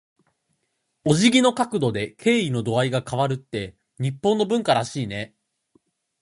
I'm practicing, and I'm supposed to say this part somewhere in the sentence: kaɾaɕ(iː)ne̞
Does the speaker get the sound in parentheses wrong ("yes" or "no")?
no